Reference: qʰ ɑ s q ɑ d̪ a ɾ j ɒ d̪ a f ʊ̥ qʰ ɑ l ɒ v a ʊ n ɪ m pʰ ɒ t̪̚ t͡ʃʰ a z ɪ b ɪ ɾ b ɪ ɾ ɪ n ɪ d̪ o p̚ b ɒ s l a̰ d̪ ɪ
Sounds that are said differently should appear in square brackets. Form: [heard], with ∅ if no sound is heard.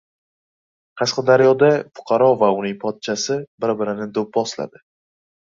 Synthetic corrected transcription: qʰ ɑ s q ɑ d̪ a ɾ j ɒ d̪ a f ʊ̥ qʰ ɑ [ɾ] ɒ v a ʊ n ɪ [ŋ] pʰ ɒ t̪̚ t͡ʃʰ a [s] ɪ b ɪ ɾ b ɪ ɾ ɪ n ɪ d̪ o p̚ b ɒ s l a̰ d̪ ɪ